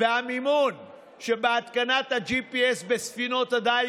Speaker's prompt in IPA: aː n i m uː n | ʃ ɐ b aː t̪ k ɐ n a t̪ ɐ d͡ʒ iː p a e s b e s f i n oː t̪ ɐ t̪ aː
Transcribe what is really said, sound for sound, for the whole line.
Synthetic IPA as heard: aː m i m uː n | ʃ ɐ b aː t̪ k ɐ n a t̪ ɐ d͡ʒ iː p i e s b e s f i n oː t̪ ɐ d̪ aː